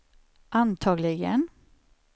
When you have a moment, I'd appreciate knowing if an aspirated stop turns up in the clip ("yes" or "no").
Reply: yes